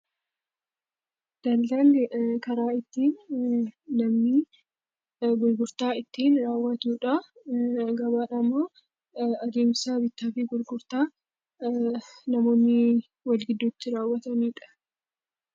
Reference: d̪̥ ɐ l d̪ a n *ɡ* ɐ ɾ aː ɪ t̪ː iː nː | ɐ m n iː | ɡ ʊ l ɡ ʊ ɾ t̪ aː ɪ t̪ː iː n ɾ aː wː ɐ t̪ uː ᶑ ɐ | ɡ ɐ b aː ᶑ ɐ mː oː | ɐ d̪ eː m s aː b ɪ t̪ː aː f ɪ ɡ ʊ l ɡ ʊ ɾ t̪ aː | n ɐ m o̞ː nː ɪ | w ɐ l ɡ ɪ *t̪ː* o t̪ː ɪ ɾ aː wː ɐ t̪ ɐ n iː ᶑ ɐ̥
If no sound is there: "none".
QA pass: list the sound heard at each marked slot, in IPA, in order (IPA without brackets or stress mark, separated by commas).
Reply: k, d̪ː